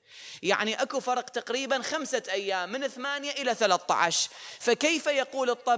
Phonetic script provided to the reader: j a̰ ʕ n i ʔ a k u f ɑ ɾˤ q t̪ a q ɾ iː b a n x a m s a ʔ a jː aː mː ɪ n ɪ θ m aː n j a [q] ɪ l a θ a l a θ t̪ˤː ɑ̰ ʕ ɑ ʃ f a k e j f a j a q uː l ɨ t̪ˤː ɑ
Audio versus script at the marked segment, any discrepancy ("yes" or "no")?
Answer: yes